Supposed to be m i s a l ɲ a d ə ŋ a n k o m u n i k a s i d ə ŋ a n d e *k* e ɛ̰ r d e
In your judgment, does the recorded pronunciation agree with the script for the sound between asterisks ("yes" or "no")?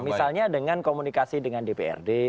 no